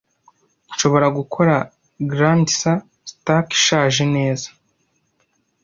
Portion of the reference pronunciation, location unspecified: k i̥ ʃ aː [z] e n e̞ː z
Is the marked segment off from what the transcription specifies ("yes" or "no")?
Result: yes